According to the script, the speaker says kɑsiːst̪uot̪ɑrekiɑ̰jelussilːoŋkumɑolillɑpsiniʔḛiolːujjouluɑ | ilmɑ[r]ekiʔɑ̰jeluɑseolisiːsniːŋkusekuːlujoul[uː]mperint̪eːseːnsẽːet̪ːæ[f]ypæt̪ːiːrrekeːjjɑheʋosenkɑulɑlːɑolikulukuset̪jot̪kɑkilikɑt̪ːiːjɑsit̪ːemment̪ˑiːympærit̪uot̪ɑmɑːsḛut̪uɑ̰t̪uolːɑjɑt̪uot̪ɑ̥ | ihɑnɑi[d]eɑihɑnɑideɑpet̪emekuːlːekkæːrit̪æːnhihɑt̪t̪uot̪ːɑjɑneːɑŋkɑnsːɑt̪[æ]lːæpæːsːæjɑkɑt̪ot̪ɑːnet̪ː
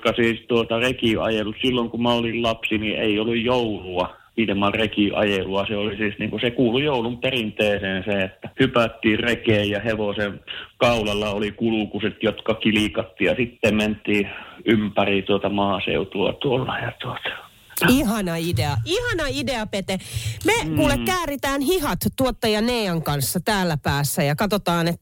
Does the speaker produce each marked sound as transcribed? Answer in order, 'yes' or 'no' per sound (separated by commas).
yes, no, no, yes, no